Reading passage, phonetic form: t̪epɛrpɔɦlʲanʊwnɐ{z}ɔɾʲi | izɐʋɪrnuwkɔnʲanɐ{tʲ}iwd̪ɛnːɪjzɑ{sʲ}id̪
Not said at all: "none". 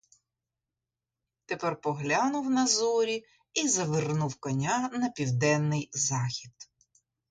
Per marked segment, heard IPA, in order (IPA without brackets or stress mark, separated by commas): z, pʲ, xʲ